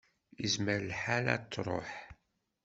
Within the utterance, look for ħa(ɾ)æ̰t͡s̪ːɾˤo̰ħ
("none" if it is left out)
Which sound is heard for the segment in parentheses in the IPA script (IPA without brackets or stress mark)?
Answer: l